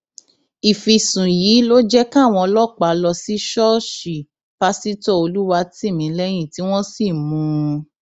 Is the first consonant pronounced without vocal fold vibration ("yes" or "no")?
yes